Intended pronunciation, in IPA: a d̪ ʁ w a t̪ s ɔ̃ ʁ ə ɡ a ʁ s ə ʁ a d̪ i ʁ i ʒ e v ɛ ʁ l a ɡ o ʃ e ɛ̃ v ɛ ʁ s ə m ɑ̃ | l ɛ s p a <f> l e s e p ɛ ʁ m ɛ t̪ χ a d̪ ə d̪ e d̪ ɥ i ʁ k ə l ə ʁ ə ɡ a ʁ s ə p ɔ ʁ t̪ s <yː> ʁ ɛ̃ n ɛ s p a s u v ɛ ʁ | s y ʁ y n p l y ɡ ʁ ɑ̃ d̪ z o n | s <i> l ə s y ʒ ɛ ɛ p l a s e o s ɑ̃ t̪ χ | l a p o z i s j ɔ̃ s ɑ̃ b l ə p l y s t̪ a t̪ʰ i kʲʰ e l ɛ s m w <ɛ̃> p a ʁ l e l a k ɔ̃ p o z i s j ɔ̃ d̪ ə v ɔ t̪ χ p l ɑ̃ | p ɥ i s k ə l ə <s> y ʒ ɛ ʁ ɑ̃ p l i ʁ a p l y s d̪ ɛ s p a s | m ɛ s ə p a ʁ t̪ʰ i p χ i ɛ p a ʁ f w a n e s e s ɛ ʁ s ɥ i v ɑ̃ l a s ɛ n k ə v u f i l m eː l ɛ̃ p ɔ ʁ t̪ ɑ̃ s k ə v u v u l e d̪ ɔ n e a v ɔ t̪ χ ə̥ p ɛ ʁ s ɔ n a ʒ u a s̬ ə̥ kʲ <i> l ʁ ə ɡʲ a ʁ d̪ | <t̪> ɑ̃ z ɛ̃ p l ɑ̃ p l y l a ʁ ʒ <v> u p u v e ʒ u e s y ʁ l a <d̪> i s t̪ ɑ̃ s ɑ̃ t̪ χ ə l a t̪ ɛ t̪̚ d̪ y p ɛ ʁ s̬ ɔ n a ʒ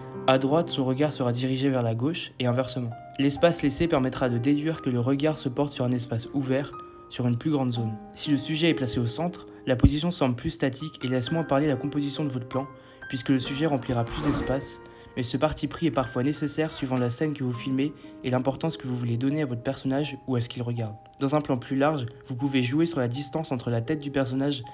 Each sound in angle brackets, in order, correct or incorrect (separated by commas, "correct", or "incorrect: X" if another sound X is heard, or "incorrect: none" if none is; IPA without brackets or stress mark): incorrect: s, incorrect: y, correct, correct, correct, correct, incorrect: d̪, correct, correct